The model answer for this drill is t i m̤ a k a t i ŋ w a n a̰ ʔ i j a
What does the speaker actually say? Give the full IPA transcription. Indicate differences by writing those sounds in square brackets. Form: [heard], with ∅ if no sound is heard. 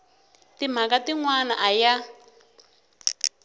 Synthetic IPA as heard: t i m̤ a k a t i ŋ w a n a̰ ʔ [a] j a